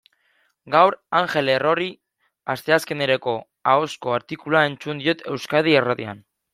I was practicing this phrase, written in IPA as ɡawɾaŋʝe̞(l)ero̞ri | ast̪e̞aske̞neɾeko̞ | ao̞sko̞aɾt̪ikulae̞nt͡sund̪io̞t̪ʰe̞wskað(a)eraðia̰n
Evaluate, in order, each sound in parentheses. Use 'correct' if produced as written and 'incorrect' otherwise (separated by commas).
correct, incorrect